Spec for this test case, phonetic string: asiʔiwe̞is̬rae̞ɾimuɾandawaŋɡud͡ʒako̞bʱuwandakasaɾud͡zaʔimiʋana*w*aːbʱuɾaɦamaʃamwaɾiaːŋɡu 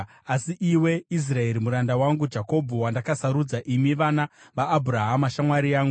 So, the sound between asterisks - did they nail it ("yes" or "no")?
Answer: no